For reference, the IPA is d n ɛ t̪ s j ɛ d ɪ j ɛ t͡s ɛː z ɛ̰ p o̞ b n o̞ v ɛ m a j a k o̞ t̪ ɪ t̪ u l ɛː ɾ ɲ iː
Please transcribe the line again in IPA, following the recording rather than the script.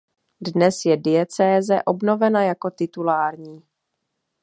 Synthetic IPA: d n ɛ s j ɛ d ɪ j ɛ t͡s ɛː z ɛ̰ ʔ o̞ b n o̞ v ɛ n a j a k o̞ t̪ ɪ t̪ u l aː ɾ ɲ iː